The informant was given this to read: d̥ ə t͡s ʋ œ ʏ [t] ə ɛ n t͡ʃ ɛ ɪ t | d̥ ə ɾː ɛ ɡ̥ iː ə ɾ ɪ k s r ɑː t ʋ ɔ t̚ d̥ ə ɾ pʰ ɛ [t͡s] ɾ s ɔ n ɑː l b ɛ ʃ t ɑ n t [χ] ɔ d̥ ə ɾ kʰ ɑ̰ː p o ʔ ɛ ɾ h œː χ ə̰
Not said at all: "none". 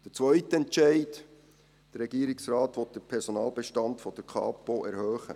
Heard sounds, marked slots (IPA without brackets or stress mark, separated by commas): t, none, f